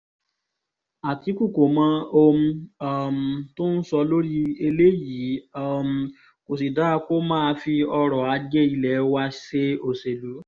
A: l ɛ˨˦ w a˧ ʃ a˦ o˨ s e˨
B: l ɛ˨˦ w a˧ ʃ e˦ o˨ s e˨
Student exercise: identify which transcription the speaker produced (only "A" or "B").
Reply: B